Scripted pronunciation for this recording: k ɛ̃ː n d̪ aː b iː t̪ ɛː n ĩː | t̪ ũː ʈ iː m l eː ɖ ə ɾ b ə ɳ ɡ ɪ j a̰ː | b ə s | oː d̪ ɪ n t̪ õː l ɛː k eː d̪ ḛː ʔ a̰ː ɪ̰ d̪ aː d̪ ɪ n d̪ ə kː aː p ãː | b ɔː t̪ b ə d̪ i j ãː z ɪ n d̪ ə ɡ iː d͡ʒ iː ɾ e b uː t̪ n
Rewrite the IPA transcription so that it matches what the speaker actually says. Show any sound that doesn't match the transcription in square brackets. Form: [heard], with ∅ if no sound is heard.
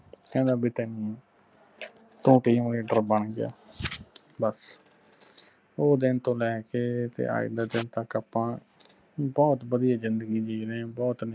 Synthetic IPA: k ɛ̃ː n d̪ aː b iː t̪ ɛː n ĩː | t̪ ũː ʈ iː m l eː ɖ ə ɾ b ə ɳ ɡ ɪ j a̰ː | b ə s | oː d̪ ɪ n t̪ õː l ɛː k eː [t̪] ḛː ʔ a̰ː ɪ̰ d̪ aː d̪ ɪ n [t̪] ə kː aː p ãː | b ɔː t̪ b ə d̪ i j [aː] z ɪ n d̪ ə ɡ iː d͡ʒ iː ɾ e b [ɔː] t̪ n